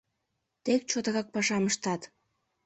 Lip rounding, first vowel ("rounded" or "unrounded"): unrounded